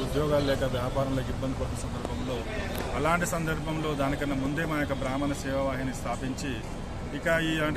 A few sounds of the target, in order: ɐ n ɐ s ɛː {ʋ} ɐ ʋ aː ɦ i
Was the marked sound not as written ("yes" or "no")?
no